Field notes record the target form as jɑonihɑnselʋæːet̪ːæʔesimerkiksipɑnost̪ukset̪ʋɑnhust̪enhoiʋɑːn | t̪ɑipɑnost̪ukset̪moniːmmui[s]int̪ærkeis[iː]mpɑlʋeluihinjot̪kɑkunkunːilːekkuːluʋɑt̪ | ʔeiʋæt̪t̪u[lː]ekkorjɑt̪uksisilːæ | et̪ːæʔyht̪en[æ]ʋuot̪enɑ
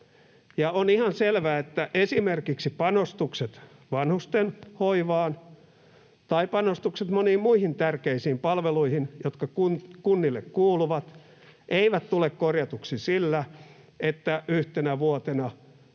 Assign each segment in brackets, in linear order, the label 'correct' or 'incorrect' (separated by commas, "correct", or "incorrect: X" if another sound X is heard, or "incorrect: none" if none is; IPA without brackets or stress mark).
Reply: incorrect: h, correct, incorrect: l, correct